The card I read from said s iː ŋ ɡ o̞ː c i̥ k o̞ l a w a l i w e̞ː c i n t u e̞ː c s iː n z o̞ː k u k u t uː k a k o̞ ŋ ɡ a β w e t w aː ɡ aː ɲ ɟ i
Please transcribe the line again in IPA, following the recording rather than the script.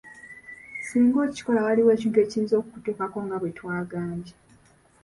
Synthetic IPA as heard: s iː ŋ ɡ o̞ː c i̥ k o̞ l a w a l i w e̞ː c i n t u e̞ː c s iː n z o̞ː k u k u t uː k a k o̞ ŋ ɡ a β w e t w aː ɡ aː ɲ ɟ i